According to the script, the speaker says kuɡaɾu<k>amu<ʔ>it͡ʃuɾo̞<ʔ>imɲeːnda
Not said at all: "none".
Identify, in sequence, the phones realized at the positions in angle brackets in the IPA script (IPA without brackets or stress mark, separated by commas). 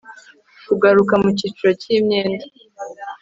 k, c, c